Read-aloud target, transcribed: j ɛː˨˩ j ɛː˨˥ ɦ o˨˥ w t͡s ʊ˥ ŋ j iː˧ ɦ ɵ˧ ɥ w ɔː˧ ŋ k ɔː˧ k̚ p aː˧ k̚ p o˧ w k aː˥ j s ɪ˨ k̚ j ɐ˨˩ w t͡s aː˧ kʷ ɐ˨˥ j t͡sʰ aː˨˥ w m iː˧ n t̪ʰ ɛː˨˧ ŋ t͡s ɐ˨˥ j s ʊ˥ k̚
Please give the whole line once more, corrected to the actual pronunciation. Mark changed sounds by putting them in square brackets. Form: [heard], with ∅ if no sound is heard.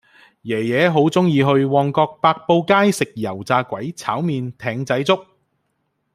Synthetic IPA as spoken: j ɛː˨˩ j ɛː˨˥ ɦ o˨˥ w t͡s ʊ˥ ŋ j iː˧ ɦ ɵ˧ ɥ w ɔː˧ ŋ k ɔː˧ k̚ p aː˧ k̚ p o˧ w k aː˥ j s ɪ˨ k̚ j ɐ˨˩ w t͡s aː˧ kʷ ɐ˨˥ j t͡sʰ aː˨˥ w m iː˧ n t̪ʰ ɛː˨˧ ŋ t͡s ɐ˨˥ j [t͡s] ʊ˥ k̚